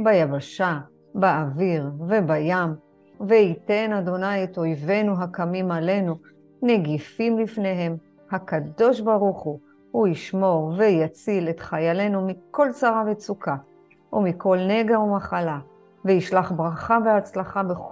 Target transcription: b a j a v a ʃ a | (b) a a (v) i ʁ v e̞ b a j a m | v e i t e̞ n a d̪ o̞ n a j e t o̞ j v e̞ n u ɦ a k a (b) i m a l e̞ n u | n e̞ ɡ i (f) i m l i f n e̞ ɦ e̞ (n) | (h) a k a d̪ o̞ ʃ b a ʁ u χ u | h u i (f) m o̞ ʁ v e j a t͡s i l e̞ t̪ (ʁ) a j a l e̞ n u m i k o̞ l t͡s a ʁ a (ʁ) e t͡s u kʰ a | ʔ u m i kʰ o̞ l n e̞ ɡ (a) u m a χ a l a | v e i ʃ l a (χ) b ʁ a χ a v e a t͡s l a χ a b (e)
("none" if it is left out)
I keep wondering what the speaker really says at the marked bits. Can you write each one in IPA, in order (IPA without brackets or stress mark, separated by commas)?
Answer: b, v, m, f, m, h, ʃ, χ, v, a, χ, e